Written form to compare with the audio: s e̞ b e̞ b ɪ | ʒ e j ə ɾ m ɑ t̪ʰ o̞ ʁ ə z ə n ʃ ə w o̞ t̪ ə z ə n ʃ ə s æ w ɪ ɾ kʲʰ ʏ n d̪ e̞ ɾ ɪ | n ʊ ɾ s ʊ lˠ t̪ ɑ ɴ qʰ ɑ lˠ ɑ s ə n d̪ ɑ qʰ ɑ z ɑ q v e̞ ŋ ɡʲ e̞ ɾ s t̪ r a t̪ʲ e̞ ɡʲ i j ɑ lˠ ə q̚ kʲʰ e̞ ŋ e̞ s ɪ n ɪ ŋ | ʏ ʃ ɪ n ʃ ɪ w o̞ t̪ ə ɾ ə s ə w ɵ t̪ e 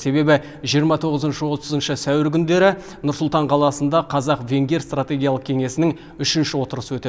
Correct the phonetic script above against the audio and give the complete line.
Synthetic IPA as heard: s e̞ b e̞ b ɪ | ʒ i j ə ɾ m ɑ t̪ʰ o̞ ʁ ə z ə n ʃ ə w o̞ t̪ ə z ə n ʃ ə s æ w ɪ ɾ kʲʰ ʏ n d̪ e̞ ɾ ɪ | n ʊ ɾ s ʊ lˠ t̪ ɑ ɴ qʰ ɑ lˠ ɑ s ə n d̪ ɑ qʰ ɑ z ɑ q v e̞ ŋ ɡʲ e̞ ɾ s t̪ r a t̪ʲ e̞ ɡʲ i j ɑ lˠ ə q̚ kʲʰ e̞ ŋ e̞ s ɪ n ɪ ŋ | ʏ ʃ ɪ n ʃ ɪ w o̞ t̪ ə ɾ ə s ə w ɵ t̪ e

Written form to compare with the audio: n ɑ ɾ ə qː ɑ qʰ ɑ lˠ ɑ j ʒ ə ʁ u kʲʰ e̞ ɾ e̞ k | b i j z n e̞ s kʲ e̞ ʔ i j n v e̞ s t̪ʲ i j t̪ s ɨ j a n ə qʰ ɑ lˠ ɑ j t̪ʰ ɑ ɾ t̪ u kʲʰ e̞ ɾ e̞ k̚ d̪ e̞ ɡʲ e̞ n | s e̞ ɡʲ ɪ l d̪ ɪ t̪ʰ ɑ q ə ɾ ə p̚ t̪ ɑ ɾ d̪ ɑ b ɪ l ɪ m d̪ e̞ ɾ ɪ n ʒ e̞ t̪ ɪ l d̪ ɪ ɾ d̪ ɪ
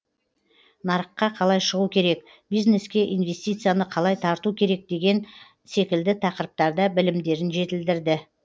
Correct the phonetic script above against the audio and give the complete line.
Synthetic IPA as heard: n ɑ ɾ ə qː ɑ qʰ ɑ lˠ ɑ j ʃ ə ʁ u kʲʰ e̞ ɾ e̞ k | b i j z n e̞ s kʲ e̞ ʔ i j n v e̞ s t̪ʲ i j t̪ s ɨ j a n ə qʰ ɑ lˠ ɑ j t̪ʰ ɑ ɾ t̪ u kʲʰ e̞ ɾ e̞ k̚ d̪ e̞ ɡʲ e̞ n | s e̞ kʲ ɪ l d̪ ɪ t̪ʰ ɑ q ə ɾ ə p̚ t̪ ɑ ɾ d̪ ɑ b ɪ l ɪ m d̪ e̞ ɾ ɪ n ʒ e̞ t̪ ɪ l d̪ ɪ ɾ d̪ ɪ

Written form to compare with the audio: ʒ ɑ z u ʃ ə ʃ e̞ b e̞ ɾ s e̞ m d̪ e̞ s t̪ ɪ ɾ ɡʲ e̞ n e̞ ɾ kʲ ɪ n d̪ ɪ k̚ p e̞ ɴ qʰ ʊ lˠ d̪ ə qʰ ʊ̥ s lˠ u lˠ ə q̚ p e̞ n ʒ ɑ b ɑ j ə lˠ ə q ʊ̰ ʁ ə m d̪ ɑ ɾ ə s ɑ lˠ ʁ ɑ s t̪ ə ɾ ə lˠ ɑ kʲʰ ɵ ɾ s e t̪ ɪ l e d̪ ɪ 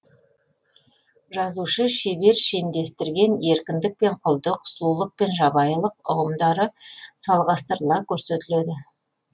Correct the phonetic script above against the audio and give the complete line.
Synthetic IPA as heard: ʒ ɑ z u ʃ ə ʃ e̞ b e̞ ɾ ʃ e̞ m d̪ e̞ s t̪ ɪ ɾ ɡʲ e̞ n e̞ ɾ kʲ ɪ n d̪ ɪ k̚ p e̞ ɴ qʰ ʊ lˠ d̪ ə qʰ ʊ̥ s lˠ u lˠ ə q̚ p e̞ n ʒ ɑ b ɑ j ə lˠ ə q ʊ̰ ʁ ə m d̪ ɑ ɾ ə s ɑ lˠ ʁ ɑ s t̪ ə ɾ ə lˠ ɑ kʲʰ ɵ ɾ s e t̪ ɪ l e d̪ ɪ

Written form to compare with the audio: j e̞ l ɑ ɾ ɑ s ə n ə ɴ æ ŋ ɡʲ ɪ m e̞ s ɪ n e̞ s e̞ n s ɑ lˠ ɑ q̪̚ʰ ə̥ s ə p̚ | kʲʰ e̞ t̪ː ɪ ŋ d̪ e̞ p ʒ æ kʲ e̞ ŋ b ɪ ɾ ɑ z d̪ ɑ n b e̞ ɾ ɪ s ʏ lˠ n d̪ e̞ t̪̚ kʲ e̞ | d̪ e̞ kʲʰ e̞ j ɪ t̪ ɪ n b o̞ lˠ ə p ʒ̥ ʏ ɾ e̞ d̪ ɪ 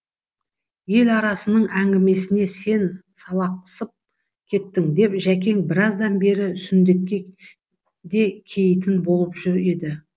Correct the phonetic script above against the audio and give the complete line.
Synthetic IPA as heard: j e̞ l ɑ ɾ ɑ s ə n ə ɴ æ ŋ ɡʲ ɪ m e̞ s ɪ n e̞ s e̞ n s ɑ lˠ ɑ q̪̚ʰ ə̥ s ə p̚ | kʲʰ e̞ t̪ː ɪ ŋ d̪ e̞ p ʒ æ kʲ e̞ ŋ b ɪ ɾ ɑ z d̪ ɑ n b e̞ ɾ ɪ s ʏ n d̪ e̞ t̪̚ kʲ e̞ | d̪ e̞ kʲʰ e̞ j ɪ t̪ ɪ n b o̞ lˠ ə p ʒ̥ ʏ ɾ e̞ d̪ ɪ

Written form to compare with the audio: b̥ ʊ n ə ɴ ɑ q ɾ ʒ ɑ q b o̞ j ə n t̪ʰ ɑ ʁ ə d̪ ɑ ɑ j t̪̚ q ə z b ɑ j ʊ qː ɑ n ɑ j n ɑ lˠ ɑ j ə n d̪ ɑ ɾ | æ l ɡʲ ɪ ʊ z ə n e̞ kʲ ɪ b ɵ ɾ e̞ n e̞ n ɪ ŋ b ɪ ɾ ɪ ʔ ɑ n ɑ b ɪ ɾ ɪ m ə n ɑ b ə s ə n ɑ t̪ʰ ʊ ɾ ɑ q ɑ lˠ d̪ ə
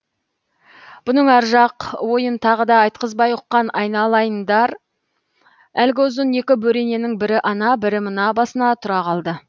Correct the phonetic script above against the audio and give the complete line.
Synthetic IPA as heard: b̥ ʊ n ə ɴ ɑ ɾ ʒ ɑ q w o̞ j ə n t̪ʰ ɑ ʁ ə d̪ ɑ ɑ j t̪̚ q ə z b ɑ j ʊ qː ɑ n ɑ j n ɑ lˠ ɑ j ə n d̪ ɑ ɾ | æ l ɡʲ ɪ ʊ z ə n e̞ kʲ ɪ b ɵ ɾ e̞ n e̞ n ɪ ŋ b ɪ ɾ ɪ ʔ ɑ n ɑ b ɪ ɾ ɪ m ə n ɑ b ɑ s ə n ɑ t̪ʰ ʊ ɾ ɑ q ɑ lˠ d̪ ə

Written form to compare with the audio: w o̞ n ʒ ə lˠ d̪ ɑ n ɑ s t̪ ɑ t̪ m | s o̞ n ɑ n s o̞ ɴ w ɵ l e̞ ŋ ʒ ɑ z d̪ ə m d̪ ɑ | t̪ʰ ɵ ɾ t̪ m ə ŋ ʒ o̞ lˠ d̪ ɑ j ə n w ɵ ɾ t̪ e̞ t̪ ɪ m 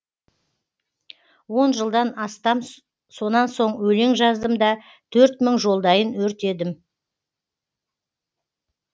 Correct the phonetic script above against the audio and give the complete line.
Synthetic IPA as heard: w o̞ n ʒ ə lˠ d̪ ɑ n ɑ s t̪ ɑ m | s o̞ n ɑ n s o̞ ɴ w ɵ l e̞ ŋ ʒ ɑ z d̪ ə m d̪ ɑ | t̪ʰ ɵ ɾ t̪ m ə ŋ ʒ o̞ lˠ d̪ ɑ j ə n w ɵ ɾ t̪ e̞ d̪ ɪ m

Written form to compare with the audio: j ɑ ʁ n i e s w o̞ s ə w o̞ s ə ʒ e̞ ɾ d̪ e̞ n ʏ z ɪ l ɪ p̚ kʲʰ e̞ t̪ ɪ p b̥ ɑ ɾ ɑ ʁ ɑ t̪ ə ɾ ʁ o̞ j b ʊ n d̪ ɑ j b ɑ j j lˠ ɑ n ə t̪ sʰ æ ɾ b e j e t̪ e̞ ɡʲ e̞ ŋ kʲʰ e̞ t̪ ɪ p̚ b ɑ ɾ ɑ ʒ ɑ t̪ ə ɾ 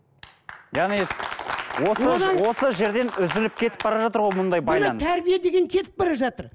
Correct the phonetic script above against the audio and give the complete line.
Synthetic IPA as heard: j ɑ ʁ n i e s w o̞ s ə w o̞ s ə ʒ e̞ ɾ d̪ e̞ n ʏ z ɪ l ɪ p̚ kʲʰ e̞ t̪ ɪ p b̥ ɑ ɾ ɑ ʒ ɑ t̪ ə ɾ ʁ o̞ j m ʊ n d̪ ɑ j b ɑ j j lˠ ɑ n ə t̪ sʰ æ ɾ b i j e d̪ e̞ ɡʲ e̞ ŋ kʲʰ e̞ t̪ ɪ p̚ b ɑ ɾ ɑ ʒ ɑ t̪ ə ɾ

